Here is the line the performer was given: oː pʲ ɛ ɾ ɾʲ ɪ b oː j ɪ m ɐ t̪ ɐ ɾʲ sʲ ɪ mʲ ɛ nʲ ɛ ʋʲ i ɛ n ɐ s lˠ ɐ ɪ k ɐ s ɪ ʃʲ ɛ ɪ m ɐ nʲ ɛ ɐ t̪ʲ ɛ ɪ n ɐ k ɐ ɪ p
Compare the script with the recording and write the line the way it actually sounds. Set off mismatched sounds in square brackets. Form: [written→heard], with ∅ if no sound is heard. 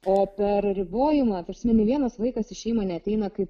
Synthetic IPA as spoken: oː pʲ ɛ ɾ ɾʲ ɪ b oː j ɪ m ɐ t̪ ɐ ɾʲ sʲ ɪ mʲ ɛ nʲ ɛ ʋʲ i ɛ n ɐ s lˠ ɐ ɪ k ɐ s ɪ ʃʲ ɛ ɪ m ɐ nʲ ɛ ɐ t̪ʲ ɛ ɪ n ɐ k ɐ ɪ p

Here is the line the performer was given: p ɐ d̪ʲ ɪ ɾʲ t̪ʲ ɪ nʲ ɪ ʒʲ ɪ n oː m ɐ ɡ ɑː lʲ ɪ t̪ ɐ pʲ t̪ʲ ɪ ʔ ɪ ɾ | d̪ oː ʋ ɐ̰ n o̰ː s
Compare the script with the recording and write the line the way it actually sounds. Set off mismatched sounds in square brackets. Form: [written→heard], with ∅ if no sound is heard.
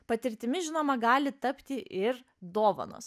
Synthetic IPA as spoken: p ɐ [d̪ʲ→t̪ʲ] ɪ ɾʲ t̪ʲ ɪ [nʲ→mʲ] ɪ ʒʲ ɪ n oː m ɐ ɡ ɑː lʲ ɪ t̪ ɐ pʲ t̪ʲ ɪ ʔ ɪ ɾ | d̪ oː ʋ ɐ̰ n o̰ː s

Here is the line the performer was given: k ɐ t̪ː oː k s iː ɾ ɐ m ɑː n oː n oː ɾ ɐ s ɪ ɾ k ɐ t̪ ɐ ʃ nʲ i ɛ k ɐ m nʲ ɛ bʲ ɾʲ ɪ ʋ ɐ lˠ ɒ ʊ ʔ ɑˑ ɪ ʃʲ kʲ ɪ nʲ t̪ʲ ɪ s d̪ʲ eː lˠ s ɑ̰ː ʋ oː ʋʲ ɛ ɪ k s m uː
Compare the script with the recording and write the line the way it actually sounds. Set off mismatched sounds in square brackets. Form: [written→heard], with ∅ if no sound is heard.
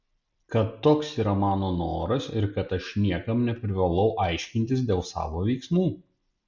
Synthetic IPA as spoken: k ɐ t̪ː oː k s iː ɾ ɐ m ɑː n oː n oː ɾ ɐ s ɪ ɾ k ɐ t̪ ɐ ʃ nʲ i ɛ k ɐ m nʲ ɛ [bʲ→pʲ] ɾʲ ɪ ʋ ɐ lˠ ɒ ʊ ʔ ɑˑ ɪ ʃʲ kʲ ɪ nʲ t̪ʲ ɪ s d̪ʲ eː lˠ s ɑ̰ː ʋ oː ʋʲ ɛ ɪ k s m uː

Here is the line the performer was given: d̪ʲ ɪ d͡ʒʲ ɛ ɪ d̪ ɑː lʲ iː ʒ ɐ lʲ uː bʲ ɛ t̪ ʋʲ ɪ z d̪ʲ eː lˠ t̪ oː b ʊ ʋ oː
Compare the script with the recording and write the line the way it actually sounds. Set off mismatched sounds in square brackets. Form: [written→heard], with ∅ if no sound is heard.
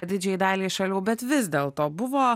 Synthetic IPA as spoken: d̪ʲ ɪ d͡ʒʲ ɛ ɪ d̪ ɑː lʲ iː [ʒ→ʃ] ɐ lʲ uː bʲ ɛ t̪ ʋʲ ɪ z d̪ʲ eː lˠ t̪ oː b ʊ ʋ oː

